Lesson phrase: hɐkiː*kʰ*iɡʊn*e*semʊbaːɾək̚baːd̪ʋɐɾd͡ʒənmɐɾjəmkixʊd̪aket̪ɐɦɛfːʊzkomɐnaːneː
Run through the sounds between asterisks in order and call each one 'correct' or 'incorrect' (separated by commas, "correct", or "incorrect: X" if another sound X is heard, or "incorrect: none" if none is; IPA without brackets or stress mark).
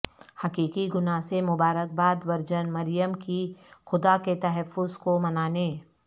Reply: incorrect: k, incorrect: a